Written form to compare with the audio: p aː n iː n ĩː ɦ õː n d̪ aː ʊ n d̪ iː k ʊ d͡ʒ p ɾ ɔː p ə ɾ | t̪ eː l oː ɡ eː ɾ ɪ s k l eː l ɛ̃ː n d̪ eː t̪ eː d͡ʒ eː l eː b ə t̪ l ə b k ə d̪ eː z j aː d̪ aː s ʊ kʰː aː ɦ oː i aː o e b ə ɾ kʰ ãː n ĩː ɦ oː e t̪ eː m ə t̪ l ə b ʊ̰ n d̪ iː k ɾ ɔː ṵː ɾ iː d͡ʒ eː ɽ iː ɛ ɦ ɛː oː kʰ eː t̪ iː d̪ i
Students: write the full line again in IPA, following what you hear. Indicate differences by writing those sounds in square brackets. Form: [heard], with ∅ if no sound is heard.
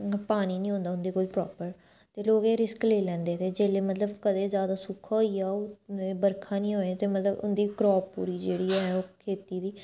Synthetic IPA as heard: p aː n iː n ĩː ɦ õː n d̪ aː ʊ n d̪ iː k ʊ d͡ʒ p ɾ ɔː p ə ɾ | t̪ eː l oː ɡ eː ɾ ɪ s k l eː l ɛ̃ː n d̪ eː t̪ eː d͡ʒ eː l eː [m] ə t̪ l ə b k ə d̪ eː z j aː d̪ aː s ʊ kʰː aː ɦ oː i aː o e b ə ɾ kʰ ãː n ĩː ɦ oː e t̪ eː m ə t̪ l ə b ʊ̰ n d̪ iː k ɾ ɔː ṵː ɾ iː d͡ʒ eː ɽ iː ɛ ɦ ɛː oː kʰ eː t̪ iː d̪ [iː]